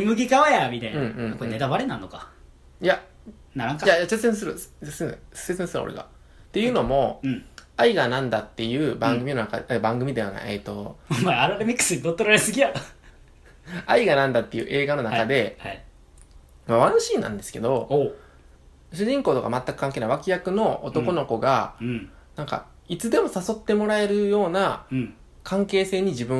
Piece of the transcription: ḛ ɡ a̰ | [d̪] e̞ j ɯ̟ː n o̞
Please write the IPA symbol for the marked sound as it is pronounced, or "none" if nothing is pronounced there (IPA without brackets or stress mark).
t̪